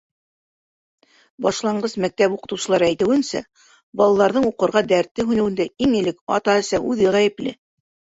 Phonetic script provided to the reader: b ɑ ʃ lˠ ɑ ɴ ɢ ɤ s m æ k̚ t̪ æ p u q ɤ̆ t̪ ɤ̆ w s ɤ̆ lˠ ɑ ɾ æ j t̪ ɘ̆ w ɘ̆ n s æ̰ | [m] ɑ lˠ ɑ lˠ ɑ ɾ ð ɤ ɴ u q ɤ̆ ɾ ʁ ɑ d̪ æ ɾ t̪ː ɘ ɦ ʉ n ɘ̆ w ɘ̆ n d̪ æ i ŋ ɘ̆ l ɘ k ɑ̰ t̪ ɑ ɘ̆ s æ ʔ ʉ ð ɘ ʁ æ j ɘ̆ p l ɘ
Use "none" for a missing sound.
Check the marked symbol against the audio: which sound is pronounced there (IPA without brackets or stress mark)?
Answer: b